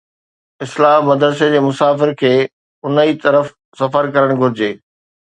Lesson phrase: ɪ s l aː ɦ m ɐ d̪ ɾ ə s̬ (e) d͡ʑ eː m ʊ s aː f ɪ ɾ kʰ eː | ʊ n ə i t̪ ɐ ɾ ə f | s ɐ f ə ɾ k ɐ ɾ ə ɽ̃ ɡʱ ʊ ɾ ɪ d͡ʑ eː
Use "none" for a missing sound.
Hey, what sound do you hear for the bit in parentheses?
e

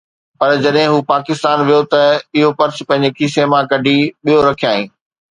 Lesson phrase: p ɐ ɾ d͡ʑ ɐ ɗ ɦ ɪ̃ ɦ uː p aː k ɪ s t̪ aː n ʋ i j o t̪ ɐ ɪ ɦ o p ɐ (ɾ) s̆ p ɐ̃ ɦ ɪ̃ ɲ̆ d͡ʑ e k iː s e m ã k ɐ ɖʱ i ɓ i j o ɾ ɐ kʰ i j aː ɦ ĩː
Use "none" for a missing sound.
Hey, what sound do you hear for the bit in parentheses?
ɾ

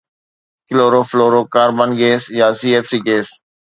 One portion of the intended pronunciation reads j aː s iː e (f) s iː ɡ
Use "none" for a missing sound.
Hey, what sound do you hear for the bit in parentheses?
f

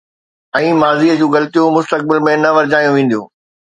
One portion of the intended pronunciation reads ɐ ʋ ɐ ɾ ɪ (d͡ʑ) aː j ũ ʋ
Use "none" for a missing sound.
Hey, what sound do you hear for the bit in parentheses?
d͡ʑ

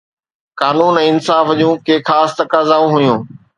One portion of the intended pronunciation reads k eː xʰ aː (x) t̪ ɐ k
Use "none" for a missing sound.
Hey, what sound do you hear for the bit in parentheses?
s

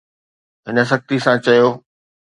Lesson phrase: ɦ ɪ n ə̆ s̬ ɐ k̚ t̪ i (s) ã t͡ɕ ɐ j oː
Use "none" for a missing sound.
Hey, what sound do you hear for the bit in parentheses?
s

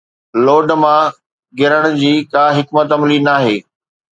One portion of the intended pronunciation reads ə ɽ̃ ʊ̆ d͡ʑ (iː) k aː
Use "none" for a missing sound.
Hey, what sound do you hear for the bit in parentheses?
iː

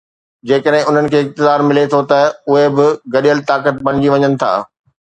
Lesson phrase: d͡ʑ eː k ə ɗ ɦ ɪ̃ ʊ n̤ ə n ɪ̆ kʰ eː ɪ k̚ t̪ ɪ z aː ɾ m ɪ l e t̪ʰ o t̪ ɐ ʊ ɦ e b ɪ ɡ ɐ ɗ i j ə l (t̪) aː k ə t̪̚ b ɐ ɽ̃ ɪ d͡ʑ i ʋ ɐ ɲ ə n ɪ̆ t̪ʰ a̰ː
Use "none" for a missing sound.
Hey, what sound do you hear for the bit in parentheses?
t̪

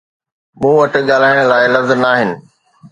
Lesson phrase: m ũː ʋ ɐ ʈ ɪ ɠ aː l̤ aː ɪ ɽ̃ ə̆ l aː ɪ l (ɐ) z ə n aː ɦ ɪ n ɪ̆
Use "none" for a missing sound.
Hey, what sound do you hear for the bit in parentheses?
ɐ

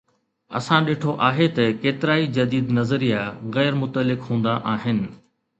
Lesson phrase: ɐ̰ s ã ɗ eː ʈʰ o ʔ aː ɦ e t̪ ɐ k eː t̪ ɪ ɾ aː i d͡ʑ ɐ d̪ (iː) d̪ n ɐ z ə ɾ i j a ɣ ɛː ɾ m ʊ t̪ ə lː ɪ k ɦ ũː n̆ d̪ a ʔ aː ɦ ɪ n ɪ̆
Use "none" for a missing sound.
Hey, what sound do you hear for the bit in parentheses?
iː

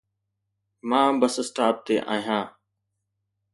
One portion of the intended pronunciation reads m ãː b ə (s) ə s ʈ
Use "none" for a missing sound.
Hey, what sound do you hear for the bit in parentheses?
s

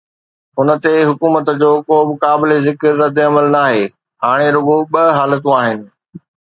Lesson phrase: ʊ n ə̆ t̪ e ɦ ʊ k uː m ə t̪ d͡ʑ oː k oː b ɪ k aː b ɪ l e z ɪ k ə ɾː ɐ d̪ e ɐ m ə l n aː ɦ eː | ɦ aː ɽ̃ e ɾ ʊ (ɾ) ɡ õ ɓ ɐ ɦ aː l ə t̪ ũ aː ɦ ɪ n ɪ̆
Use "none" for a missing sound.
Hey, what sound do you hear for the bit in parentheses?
none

